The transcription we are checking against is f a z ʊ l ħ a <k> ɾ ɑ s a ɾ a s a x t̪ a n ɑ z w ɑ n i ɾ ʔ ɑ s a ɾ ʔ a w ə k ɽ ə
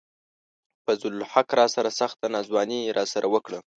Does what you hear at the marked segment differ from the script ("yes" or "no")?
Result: no